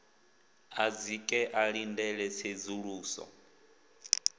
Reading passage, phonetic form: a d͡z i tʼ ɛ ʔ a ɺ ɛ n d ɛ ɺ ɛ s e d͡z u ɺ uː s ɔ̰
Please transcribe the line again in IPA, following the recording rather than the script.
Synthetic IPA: a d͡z i kʼ ɛ ʔ a ɺ i n d ɛ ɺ ɛ s e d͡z u ɺ uː s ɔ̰